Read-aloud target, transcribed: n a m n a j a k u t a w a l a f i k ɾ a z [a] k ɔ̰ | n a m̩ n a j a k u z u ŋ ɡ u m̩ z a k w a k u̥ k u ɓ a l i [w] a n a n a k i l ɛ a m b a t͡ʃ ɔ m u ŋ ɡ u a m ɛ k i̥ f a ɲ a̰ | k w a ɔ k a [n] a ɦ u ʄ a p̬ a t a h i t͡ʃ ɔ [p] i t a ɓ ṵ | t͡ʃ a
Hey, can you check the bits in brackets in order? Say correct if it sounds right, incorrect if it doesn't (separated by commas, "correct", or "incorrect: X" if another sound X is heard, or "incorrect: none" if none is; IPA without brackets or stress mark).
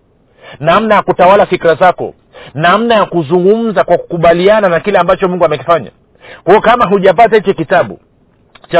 correct, incorrect: none, incorrect: m, incorrect: k